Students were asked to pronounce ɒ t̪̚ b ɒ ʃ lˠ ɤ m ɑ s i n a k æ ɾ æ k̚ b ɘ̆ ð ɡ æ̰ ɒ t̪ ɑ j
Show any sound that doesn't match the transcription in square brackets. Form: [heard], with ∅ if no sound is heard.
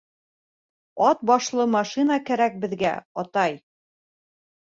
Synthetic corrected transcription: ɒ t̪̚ b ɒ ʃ lˠ ɤ m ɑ [ʃ] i n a k æ ɾ æ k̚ b ɘ̆ ð ɡ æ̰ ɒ t̪ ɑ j